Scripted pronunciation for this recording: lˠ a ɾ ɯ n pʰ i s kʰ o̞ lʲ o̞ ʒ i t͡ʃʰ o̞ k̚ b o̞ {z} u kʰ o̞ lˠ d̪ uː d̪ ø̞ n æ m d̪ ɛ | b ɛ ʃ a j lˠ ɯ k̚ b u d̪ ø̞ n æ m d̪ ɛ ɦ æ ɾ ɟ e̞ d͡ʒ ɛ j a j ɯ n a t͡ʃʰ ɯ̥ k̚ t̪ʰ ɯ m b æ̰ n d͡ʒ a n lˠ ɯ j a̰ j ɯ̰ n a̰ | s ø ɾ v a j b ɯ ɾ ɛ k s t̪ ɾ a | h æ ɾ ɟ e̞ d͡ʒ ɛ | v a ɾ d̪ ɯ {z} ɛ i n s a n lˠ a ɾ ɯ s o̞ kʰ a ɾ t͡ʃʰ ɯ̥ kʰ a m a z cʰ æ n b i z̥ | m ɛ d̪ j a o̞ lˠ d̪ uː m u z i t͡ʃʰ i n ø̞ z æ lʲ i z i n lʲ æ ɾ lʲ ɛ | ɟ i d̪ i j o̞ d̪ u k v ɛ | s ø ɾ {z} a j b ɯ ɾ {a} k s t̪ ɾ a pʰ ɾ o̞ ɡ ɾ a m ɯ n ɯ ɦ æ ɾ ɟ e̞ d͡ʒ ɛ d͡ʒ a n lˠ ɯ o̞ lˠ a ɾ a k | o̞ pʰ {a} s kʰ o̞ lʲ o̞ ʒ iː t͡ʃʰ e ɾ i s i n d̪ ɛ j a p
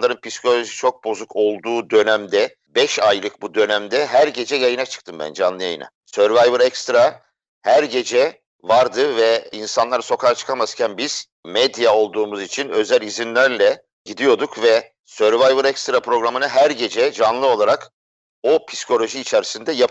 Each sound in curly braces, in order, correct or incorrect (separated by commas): correct, incorrect, incorrect, incorrect, incorrect